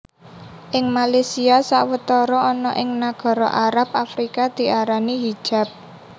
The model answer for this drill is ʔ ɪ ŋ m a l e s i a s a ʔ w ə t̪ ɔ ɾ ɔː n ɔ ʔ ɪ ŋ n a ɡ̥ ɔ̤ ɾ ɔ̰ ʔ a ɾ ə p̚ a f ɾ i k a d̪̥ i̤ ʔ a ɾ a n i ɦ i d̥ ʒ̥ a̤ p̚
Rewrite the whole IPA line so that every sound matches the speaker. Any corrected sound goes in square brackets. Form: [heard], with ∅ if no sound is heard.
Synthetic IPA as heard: ʔ ɪ ŋ m a l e s i a s a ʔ w ə t̪ ɔ ɾ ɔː n ɔ ʔ ɪ ŋ n a ɡ̥ ɔ̤ ɾ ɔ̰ ʔ a ɾ [a] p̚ a f ɾ i k a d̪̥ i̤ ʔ a ɾ a n i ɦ i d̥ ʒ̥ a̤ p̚